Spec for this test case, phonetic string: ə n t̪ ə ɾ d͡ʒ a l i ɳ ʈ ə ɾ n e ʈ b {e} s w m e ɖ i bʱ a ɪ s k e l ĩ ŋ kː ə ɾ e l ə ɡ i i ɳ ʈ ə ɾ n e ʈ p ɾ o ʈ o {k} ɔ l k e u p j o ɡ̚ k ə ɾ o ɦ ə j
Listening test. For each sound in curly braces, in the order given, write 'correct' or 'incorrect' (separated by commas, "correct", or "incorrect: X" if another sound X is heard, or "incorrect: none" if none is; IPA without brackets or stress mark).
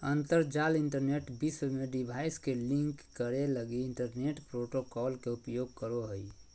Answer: incorrect: i, correct